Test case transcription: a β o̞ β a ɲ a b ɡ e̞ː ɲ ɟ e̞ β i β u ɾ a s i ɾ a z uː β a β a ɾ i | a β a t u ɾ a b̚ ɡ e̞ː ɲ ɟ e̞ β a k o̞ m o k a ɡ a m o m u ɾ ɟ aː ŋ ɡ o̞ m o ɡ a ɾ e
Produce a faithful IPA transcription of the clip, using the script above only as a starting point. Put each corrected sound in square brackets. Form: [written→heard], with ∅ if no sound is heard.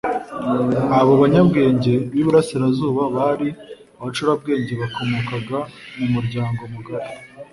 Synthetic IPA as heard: a β o̞ β a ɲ a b ɡ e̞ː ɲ ɟ e̞ β i β u ɾ a s i ɾ a z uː β a β a ɾ i | a β a [t→t͡ʃ] u ɾ a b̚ ɡ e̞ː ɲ ɟ e̞ β a k o̞ m o k a ɡ a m [o→u] m u ɾ ɟ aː ŋ ɡ o̞ m [o→u] ɡ a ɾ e

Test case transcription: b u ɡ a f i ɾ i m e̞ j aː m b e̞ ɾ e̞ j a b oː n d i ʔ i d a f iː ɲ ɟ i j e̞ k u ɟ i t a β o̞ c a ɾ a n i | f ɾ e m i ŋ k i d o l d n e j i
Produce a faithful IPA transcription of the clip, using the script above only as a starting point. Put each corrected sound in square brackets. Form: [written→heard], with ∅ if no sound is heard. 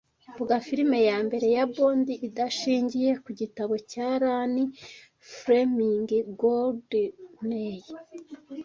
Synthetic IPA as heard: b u ɡ a f i ɾ i m e̞ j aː m b e̞ ɾ e̞ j a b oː n d i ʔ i d a [f→ʃ] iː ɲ ɟ i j e̞ k u ɟ i t a β o̞ c a ɾ a n i | f ɾ e m i ŋ [k→ɡ] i [d→ɡ] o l d n e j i

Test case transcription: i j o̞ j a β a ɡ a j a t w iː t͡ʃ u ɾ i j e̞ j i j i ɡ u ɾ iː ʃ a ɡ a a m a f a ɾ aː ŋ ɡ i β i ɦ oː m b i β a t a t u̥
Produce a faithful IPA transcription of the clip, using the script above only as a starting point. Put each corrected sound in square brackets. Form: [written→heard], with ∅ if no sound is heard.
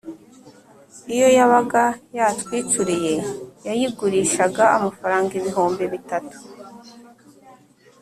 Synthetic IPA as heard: i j o̞ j a β a ɡ a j a t w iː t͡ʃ u ɾ i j e̞ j [i→a] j i ɡ u ɾ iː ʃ a ɡ a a m a f a ɾ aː ŋ ɡ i β i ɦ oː m b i β [a→i] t a t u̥

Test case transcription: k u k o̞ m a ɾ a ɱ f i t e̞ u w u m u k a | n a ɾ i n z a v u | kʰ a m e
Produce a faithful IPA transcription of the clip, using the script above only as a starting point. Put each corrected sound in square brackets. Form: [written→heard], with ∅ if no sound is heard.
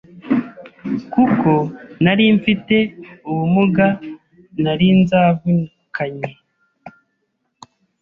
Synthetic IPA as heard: k u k o̞ [m→n] a ɾ [a→i] ɱ f i t e̞ u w u m u [k→ɡ] a | n a ɾ i n z a v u | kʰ a [m→ɲ] e

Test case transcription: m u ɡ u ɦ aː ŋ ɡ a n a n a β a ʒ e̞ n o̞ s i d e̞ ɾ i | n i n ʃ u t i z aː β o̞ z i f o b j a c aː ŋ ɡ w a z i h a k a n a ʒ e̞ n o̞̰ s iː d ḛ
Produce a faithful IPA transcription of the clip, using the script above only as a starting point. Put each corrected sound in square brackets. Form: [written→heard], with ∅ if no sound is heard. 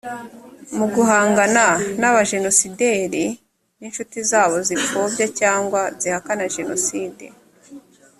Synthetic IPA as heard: m u ɡ u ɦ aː ŋ ɡ a n a n a β a ʒ e̞ n o̞ s i d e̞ ɾ i | n i n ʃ u t i z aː β o̞ z i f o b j a c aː ŋ ɡ w a z i h a k a n a ʒ e̞ n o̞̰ s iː d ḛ

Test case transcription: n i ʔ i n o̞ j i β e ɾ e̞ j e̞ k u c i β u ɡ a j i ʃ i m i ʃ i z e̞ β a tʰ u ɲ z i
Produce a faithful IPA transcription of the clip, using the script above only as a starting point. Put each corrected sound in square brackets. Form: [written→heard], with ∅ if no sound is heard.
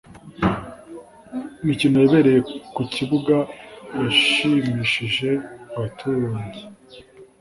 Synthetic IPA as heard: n i [ʔ→c] i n o̞ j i β e ɾ e̞ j e̞ k u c i β u ɡ a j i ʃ i m i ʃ i [z→ʒ] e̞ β a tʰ u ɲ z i

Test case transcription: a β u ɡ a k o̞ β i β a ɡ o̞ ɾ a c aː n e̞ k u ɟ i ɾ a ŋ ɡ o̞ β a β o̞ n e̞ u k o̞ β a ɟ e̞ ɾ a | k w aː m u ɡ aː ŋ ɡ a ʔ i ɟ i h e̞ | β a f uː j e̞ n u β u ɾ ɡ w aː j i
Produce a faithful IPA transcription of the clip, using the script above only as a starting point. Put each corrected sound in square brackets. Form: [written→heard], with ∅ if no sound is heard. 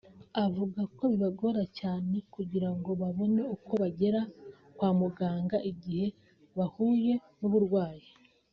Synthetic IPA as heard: a [β→v] u ɡ a k o̞ β i β a ɡ o̞ ɾ a c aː n e̞ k u ɟ i ɾ a ŋ ɡ o̞ β a β o̞ n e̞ u k o̞ β a ɟ e̞ ɾ a | k w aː m u ɡ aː ŋ ɡ a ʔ i ɟ i h e̞ | β a [f→h] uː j e̞ n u β u ɾ ɡ w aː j i

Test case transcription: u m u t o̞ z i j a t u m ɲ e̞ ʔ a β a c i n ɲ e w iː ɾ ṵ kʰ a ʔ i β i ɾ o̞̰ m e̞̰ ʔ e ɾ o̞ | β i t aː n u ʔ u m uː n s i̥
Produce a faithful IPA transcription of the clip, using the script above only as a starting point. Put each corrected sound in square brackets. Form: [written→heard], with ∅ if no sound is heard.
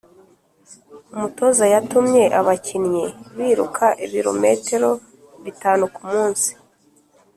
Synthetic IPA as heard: u m u t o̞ z [i→a] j a t u m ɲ e̞ ʔ a β a c i n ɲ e [w→β] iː ɾ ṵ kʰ a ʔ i β i ɾ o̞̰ m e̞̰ [ʔ→t] e ɾ o̞ | β i t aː n u [ʔ→k] u m uː n s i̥

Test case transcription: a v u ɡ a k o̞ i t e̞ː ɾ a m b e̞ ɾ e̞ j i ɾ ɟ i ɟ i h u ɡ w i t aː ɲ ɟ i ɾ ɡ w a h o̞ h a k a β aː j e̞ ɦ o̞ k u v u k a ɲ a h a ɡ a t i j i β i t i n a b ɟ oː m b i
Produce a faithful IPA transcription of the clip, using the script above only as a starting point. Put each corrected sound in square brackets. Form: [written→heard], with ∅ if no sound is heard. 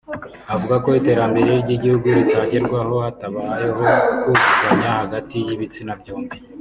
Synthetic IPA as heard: a v u ɡ a k o̞ i t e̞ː ɾ a m b e̞ ɾ e̞ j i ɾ ɟ i ɟ i h u ɡ [w→u] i t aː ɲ ɟ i ɾ ɡ w a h o̞ h a [k→t] a β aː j e̞ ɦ o̞ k u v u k a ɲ a h a ɡ a t i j i β i [t→t͡s] i n a b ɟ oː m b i

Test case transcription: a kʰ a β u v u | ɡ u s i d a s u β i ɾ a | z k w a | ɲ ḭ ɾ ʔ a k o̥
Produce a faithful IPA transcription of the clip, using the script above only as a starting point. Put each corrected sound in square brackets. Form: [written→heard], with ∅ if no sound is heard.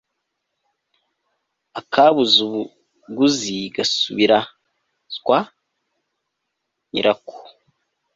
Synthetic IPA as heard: a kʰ a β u [v→z] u | ɡ u [s→z] i [d→ɡ] a s u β i ɾ a | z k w a | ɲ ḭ ɾ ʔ a k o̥

